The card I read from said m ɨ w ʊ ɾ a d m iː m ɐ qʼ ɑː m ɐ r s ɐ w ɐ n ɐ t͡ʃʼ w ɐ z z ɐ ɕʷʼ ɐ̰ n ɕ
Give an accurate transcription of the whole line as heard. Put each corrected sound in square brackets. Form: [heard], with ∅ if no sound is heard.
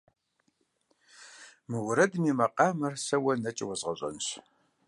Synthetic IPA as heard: m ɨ w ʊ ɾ [ɐ] d m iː m ɐ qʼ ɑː m ɐ r s ɐ w ɐ n ɐ t͡ʃʼ w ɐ z [ʁ] ɐ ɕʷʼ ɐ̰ n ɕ

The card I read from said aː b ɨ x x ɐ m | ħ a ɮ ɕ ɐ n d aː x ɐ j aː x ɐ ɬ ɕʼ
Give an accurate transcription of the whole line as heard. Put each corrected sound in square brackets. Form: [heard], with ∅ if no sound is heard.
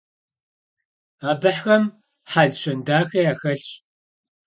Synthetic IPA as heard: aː b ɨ [ħ] x ɐ m | ħ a ɮ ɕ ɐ n d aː x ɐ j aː x ɐ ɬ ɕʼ

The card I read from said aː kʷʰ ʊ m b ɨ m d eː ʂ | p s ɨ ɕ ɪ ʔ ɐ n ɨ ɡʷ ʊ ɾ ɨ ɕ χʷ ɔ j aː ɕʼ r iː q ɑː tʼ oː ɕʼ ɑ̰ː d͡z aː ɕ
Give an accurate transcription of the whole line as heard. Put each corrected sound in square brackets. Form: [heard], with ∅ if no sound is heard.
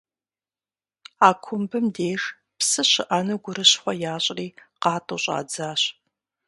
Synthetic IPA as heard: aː kʷʰ ʊ m b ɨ m d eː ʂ | p s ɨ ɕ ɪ ʔ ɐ n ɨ ɡʷ ʊ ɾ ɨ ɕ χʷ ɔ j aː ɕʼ r iː q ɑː tʼ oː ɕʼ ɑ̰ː d͡z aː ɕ

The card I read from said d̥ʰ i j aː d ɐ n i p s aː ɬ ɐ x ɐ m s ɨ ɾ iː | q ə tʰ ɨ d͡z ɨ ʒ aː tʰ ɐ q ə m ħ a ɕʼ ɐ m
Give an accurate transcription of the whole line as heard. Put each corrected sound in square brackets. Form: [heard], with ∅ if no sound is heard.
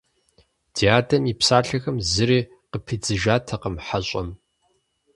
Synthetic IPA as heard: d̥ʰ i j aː d ɐ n i p s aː ɬ ɐ x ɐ m [z] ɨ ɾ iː | q ə [pʰ] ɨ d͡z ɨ ʒ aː tʰ ɐ q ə m ħ a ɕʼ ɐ m

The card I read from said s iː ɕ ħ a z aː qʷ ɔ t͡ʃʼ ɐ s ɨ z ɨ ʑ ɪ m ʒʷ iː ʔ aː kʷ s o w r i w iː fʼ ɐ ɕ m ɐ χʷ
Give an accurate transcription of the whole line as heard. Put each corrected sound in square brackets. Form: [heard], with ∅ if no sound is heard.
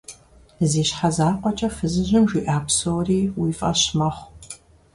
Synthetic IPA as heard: [z] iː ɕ ħ a z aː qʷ ɔ t͡ʃʼ ɐ [f] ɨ z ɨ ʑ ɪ m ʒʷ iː ʔ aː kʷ s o w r [iː] w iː fʼ ɐ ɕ m ɐ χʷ

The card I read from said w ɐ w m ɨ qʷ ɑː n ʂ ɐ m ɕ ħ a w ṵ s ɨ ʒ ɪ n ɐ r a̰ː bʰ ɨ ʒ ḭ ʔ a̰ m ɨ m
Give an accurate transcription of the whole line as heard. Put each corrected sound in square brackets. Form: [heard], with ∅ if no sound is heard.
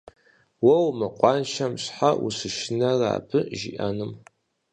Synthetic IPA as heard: w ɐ w m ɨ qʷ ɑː n [ʃ] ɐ m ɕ ħ a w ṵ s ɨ [ʃ] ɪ n ɐ r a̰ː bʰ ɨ ʒ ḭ ʔ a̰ [n] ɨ m

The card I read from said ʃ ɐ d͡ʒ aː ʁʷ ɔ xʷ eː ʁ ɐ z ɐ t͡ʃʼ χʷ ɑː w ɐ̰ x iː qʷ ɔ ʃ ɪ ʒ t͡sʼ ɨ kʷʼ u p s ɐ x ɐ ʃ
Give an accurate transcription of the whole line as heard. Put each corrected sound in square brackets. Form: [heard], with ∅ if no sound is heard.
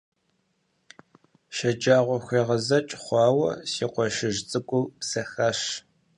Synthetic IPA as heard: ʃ ɐ d͡ʒ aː ʁʷ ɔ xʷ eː ʁ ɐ z ɐ t͡ʃʼ χʷ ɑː w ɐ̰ [s] iː qʷ ɔ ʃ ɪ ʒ t͡sʼ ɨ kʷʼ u p s ɐ x ɐ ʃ

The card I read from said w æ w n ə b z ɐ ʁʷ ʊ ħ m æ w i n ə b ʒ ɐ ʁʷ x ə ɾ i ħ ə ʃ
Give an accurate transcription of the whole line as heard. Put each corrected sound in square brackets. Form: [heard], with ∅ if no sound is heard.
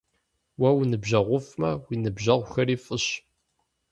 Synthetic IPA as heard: w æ w n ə b [ʒ] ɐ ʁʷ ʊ [f] m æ w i n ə b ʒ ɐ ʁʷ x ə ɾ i [f] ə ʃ

